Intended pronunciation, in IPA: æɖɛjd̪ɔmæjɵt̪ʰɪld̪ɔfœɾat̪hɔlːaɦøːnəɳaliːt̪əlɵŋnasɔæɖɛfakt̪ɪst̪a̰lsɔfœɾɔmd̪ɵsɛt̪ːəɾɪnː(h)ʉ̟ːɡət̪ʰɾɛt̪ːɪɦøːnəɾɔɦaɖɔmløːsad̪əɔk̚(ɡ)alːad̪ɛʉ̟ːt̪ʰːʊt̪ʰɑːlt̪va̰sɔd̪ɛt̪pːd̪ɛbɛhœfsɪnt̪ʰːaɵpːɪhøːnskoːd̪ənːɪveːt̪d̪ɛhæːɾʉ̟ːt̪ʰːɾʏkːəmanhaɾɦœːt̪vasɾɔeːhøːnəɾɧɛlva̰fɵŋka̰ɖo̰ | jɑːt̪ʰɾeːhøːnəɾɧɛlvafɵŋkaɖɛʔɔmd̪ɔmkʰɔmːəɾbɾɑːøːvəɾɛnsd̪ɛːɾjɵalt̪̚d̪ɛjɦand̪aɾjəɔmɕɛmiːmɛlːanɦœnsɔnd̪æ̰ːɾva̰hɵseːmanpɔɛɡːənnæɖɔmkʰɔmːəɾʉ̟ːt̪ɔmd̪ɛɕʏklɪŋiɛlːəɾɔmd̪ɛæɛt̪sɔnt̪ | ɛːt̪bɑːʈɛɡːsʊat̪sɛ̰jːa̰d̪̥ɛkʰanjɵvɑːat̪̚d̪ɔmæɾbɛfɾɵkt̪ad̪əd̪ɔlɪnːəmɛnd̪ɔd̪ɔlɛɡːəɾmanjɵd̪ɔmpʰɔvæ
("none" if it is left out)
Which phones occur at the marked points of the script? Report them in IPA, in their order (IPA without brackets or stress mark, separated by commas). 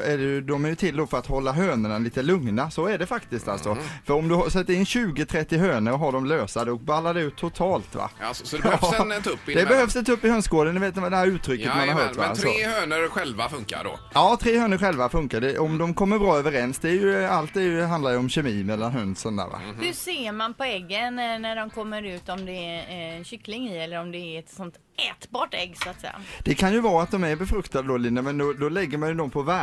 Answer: ɕ, b